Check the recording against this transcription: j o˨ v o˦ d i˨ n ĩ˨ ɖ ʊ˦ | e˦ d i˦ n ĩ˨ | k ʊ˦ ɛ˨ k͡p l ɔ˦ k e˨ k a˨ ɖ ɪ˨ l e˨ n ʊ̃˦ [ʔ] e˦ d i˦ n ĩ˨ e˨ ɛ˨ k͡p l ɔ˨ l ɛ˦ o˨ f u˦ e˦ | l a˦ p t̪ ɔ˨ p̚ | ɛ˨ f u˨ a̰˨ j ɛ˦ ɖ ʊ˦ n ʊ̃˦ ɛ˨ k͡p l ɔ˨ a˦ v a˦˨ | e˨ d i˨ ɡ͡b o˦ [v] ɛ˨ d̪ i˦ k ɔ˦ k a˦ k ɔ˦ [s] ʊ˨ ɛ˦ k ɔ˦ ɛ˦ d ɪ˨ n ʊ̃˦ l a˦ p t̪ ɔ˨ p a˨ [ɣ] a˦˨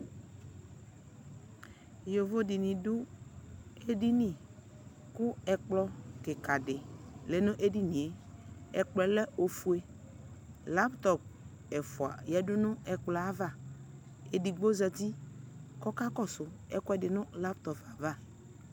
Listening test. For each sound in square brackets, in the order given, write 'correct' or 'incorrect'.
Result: correct, incorrect: z, correct, incorrect: v

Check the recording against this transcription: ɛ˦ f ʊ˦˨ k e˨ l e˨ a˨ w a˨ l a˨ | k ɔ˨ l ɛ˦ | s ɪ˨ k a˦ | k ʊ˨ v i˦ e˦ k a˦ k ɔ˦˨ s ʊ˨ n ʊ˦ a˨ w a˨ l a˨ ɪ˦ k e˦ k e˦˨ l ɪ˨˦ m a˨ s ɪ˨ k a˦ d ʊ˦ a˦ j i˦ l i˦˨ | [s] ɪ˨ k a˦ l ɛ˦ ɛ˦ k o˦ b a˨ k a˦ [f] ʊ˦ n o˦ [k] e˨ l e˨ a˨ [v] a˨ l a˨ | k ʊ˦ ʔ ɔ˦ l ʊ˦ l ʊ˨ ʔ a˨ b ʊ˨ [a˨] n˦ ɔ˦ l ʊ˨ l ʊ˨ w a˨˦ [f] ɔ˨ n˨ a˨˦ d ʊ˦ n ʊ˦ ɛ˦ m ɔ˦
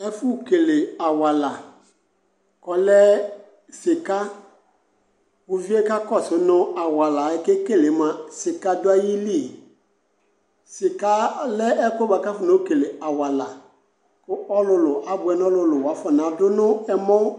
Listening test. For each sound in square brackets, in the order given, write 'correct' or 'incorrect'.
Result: correct, correct, correct, incorrect: w, incorrect: ɛ˨, correct

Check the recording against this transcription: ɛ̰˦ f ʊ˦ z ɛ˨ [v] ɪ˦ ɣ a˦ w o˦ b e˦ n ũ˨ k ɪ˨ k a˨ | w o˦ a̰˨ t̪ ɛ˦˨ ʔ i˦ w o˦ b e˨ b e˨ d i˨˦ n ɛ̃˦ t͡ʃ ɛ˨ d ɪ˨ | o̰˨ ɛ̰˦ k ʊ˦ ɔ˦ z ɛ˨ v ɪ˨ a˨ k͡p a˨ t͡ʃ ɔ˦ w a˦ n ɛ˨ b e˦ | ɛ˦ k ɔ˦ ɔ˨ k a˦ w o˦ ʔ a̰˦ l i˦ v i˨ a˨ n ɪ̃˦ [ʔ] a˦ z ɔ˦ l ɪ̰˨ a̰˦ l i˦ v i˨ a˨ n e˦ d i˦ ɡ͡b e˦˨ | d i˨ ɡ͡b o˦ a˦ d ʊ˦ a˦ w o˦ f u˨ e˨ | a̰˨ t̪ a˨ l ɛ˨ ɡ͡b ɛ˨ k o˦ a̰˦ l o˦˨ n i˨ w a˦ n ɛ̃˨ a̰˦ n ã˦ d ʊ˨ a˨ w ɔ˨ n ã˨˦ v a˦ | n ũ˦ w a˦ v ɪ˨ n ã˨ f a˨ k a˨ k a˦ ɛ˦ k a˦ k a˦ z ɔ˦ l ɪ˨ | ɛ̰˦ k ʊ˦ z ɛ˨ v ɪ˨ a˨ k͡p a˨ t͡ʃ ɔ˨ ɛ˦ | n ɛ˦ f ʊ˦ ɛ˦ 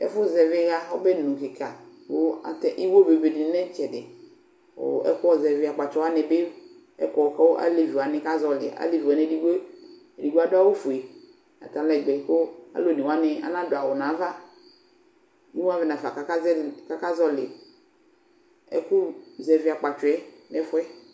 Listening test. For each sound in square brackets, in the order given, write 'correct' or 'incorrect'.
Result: correct, incorrect: k

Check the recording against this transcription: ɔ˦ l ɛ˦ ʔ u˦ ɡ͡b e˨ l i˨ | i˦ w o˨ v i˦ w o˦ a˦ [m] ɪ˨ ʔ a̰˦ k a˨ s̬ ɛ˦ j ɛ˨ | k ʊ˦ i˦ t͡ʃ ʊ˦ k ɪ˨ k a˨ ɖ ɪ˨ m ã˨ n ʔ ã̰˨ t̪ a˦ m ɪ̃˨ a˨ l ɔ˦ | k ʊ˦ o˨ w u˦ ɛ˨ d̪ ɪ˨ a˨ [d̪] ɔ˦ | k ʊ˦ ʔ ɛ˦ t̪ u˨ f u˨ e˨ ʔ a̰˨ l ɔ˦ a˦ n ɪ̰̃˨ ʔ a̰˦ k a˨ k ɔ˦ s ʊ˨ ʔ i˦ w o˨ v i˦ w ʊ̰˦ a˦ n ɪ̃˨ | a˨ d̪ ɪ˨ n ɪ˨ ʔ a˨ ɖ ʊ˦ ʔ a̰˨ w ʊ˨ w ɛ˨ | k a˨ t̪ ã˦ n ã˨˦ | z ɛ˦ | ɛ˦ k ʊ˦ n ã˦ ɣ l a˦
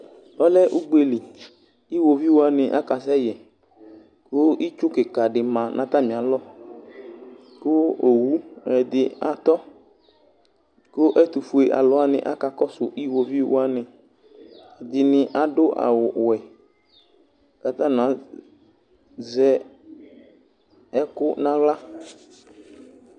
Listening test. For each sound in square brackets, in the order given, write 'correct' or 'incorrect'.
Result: incorrect: n, incorrect: t̪

